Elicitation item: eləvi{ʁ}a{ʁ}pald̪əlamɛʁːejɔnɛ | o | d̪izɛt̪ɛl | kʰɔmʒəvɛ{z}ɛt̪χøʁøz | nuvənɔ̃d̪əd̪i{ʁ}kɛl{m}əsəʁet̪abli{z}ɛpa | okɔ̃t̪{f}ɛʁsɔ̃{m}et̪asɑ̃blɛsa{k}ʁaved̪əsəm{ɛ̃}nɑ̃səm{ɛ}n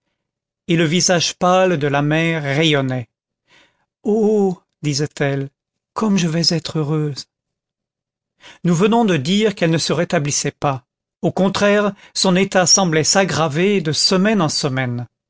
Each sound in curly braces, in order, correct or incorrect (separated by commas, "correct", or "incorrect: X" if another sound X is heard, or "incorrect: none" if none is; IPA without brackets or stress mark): incorrect: z, incorrect: ʒ, correct, correct, incorrect: n, incorrect: s, incorrect: χ, incorrect: n, incorrect: ɡ, incorrect: ɛ, correct